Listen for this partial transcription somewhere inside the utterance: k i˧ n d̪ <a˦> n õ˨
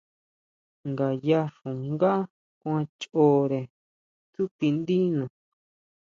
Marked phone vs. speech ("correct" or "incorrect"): incorrect